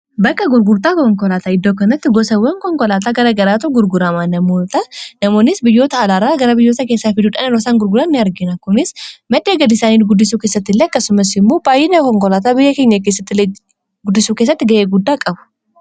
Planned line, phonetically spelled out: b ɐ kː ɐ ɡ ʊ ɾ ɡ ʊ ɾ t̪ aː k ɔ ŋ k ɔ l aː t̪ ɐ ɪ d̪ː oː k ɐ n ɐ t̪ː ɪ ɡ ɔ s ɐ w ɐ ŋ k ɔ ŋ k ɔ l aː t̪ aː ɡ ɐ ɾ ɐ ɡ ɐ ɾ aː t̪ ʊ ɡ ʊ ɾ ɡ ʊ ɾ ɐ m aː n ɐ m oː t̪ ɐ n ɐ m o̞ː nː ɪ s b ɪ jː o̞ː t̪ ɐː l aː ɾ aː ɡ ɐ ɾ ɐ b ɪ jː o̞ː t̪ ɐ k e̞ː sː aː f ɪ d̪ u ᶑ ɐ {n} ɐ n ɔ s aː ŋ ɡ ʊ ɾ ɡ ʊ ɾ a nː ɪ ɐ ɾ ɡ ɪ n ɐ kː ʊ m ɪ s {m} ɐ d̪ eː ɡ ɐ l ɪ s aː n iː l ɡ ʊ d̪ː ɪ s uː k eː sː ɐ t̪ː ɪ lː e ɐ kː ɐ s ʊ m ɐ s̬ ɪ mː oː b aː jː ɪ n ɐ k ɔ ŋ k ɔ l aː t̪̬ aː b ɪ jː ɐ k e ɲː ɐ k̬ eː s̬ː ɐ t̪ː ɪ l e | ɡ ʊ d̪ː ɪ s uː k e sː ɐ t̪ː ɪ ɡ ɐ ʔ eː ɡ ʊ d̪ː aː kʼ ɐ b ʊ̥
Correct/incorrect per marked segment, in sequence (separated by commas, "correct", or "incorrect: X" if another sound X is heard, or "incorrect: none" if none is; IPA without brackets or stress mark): correct, correct